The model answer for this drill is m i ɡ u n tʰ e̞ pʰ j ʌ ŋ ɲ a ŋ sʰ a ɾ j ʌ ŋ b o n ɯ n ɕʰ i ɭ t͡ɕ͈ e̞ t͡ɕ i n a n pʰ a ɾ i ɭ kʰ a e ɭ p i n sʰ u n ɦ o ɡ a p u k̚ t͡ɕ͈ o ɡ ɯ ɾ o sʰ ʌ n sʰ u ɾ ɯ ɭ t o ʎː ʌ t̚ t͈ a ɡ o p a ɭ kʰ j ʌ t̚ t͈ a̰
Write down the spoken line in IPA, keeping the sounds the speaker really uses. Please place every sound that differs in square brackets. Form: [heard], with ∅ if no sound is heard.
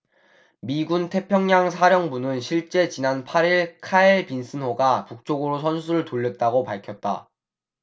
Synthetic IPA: m i ɡ u n tʰ e̞ pʰ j ʌ ŋ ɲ a ŋ sʰ a ɾ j ʌ ŋ b [u] n ɯ n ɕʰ i ɭ t͡ɕ͈ e̞ t͡ɕ i n a n pʰ a ɾ i ɭ kʰ a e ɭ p i n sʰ [ɯ] n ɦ o ɡ a p u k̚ t͡ɕ͈ o ɡ ɯ ɾ o sʰ ʌ n sʰ u ɾ ɯ ɭ t o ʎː ʌ t̚ t͈ a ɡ o p a ɭ kʰ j ʌ t̚ t͈ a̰